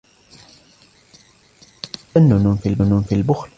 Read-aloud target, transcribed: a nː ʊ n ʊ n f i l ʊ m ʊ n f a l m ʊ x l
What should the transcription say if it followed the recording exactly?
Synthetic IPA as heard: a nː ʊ n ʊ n f i l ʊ n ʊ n f i l b ʊ x l